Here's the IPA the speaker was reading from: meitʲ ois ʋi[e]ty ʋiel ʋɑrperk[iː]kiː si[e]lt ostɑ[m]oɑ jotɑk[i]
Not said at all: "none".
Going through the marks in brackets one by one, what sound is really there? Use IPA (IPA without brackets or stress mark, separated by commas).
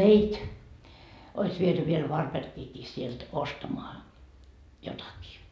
e, iː, e, m, iː